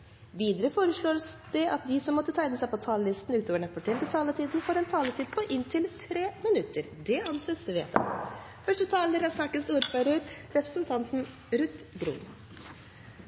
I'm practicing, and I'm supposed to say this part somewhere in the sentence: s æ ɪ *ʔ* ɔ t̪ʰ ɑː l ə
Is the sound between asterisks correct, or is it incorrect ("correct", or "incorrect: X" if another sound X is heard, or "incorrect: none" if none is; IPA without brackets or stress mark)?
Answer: incorrect: p